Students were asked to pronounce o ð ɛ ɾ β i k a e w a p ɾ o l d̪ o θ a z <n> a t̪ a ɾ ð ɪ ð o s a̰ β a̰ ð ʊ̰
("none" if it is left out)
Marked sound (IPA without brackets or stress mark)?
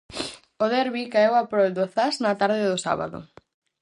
n